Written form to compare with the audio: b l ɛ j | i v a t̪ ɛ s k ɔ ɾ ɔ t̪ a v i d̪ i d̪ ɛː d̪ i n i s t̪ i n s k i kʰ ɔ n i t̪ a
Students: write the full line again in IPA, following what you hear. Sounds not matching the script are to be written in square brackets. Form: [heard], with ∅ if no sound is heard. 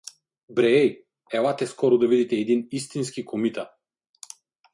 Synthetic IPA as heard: b [ɾ] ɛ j | [ɛ] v a t̪ ɛ s k ɔ ɾ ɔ [d̪] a v i d̪ i [t̪] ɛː d̪ i n i s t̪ i n s k i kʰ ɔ [m] i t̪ a